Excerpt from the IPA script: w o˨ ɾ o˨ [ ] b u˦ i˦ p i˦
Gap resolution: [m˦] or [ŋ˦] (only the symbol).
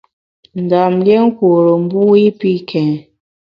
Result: m˦